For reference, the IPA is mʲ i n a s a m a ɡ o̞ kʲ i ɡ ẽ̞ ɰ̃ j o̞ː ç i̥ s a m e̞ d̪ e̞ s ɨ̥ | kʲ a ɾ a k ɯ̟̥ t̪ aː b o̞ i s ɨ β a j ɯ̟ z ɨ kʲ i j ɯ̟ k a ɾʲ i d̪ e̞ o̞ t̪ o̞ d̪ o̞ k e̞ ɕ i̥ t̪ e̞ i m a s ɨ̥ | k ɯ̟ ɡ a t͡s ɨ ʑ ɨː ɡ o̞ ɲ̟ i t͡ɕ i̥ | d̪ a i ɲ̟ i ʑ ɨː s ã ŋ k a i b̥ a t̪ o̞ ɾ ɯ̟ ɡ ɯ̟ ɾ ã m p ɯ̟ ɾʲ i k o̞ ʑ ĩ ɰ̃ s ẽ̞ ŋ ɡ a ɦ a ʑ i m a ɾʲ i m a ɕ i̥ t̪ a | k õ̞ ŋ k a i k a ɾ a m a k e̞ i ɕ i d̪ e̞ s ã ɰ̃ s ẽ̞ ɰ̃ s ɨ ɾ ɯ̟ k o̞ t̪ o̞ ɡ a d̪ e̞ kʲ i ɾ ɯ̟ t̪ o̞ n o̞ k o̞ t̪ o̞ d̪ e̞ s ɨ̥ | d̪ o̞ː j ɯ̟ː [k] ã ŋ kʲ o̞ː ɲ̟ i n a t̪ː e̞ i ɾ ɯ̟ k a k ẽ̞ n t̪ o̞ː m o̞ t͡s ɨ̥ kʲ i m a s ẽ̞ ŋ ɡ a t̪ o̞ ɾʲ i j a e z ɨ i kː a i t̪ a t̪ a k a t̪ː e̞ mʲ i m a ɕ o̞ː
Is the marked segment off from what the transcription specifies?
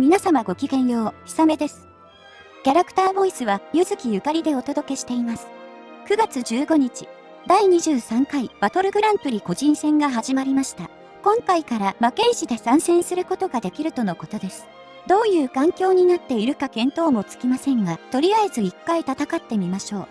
no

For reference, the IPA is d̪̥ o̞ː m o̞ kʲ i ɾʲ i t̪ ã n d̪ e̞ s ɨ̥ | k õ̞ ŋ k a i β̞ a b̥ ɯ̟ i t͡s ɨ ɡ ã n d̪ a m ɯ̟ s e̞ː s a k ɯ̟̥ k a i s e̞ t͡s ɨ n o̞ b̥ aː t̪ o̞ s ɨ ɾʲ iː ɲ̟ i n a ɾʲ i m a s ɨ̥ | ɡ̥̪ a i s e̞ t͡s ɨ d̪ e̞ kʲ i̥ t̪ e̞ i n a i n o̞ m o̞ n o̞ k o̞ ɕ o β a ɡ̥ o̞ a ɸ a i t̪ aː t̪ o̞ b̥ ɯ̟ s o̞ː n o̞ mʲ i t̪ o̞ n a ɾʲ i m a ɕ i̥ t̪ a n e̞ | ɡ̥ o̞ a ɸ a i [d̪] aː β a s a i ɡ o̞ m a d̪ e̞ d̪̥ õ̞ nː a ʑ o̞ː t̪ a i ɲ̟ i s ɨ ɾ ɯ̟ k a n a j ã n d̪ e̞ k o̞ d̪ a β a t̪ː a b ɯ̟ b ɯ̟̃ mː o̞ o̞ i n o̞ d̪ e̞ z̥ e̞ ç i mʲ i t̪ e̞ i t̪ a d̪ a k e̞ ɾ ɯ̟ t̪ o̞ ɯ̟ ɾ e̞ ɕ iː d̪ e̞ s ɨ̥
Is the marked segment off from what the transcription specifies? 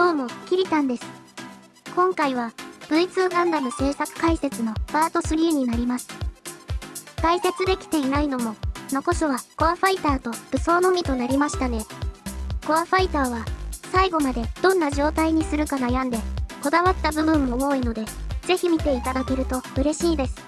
yes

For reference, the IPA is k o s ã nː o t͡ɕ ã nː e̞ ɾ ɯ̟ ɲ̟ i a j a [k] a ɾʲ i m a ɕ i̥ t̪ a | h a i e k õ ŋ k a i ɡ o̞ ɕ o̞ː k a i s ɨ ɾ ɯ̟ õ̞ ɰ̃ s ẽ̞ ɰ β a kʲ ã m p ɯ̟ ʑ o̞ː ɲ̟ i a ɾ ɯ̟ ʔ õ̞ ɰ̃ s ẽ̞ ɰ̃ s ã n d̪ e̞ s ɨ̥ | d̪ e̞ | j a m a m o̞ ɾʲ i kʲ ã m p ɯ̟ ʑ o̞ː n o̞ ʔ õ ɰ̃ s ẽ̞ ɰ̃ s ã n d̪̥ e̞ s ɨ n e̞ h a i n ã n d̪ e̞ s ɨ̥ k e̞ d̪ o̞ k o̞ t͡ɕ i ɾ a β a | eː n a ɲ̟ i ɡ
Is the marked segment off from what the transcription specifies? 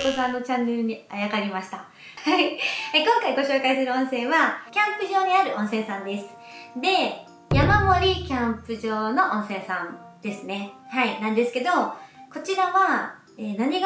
no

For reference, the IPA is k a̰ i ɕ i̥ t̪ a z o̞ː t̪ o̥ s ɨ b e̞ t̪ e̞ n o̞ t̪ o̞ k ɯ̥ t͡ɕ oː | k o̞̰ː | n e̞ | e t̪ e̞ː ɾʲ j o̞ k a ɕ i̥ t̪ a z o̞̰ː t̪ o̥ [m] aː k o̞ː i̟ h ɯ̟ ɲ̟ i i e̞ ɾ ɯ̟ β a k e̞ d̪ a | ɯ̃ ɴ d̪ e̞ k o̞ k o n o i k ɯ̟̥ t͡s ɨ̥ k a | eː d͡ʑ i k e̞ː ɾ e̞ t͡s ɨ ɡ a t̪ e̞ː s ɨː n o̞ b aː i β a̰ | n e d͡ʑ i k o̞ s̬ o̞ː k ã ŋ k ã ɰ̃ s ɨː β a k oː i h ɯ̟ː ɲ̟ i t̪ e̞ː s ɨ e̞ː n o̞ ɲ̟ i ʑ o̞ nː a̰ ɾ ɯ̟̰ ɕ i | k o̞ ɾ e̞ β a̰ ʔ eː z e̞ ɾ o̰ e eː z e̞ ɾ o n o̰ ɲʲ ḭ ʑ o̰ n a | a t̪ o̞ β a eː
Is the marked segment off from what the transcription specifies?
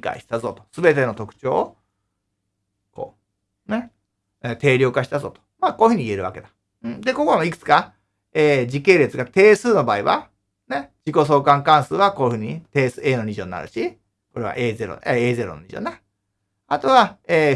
no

